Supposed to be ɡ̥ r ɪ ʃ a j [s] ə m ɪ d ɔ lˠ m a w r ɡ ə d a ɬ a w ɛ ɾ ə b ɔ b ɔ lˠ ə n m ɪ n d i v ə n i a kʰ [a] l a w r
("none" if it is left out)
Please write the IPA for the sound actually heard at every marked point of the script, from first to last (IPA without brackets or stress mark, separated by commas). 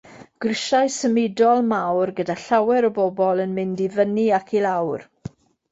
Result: s, i